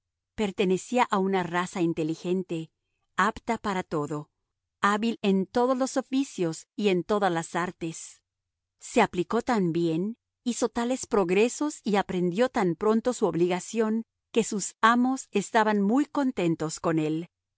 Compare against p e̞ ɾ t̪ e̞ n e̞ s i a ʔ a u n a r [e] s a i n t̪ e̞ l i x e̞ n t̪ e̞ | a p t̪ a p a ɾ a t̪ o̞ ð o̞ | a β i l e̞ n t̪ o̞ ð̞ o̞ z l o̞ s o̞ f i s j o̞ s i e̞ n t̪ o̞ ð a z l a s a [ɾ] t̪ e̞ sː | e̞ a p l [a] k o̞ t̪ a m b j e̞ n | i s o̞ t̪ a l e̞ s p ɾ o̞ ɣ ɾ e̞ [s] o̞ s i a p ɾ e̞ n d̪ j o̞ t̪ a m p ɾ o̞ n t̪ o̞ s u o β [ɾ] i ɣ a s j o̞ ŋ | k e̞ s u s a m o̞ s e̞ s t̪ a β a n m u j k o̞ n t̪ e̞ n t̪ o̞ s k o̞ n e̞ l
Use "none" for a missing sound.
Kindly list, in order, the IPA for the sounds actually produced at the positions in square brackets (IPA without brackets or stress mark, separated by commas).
a, ɾ, i, s, l